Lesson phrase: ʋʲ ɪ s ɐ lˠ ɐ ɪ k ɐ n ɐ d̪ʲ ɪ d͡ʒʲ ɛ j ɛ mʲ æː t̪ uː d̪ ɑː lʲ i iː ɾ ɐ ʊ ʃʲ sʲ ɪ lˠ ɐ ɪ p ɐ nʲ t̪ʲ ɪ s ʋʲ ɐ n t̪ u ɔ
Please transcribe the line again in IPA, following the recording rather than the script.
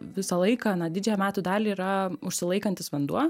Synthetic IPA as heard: ʋʲ ɪ s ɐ lˠ ɐ ɪ k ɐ n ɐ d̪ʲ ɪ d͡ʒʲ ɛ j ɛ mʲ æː t̪ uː d̪ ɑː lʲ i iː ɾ ɐ ʊ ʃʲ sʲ ɪ lˠ ɐ ɪ k ɐ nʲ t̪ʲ ɪ s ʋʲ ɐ n d̪ u ɔ